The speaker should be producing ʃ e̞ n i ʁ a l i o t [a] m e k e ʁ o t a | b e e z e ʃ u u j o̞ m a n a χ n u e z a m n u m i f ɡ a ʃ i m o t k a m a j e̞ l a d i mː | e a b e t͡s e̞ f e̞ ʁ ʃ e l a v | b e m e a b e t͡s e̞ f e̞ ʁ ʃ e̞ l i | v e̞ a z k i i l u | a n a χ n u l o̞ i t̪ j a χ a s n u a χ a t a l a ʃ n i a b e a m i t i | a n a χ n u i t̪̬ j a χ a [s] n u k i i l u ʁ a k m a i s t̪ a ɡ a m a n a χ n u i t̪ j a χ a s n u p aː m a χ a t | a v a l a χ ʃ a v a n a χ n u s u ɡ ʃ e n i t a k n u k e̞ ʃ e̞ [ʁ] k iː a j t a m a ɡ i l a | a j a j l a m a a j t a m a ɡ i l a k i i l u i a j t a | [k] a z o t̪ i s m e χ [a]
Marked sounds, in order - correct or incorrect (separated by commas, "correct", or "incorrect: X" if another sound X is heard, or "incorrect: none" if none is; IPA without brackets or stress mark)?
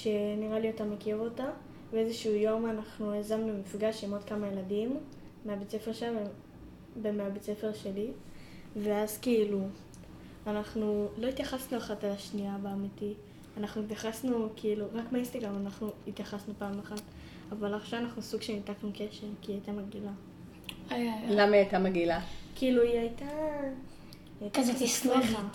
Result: correct, correct, correct, correct, correct